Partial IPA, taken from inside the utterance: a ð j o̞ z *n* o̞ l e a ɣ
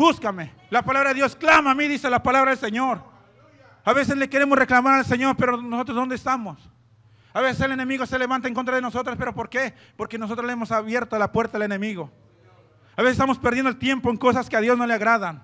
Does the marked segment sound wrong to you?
no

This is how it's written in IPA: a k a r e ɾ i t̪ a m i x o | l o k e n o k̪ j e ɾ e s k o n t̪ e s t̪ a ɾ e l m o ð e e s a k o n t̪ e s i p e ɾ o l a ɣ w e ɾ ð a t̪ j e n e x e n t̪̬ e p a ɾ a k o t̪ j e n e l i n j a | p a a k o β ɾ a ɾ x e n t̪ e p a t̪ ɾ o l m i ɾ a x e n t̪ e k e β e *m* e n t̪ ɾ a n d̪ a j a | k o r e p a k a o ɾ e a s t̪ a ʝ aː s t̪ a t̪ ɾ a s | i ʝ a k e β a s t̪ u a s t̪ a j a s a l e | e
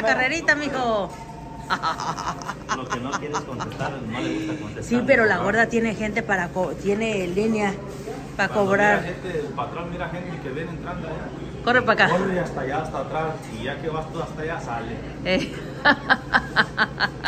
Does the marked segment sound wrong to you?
yes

